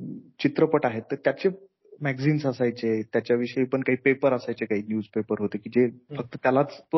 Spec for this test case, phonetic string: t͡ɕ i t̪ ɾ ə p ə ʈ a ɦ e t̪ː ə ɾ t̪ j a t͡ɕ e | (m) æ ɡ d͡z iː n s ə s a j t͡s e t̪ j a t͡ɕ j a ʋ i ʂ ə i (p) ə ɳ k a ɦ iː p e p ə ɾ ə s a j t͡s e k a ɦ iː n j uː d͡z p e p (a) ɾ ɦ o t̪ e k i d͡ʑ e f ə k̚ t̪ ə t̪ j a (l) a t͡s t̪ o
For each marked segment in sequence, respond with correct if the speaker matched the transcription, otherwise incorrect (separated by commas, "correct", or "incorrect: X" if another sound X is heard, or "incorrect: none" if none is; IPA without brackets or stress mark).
correct, correct, incorrect: ə, correct